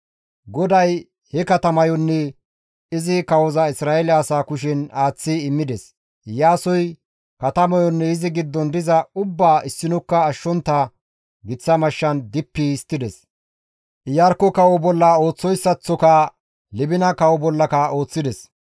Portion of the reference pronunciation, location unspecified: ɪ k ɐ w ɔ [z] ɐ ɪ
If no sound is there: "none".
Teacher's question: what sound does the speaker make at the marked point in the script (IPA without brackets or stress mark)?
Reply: z